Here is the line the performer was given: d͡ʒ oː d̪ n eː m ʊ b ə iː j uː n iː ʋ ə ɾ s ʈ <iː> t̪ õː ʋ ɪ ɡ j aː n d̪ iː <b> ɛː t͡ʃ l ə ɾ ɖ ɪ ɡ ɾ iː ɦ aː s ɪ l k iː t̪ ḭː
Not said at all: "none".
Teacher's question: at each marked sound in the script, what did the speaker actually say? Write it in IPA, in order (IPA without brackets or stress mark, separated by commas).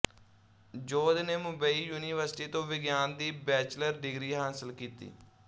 iː, b